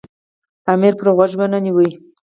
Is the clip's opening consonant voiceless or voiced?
voiced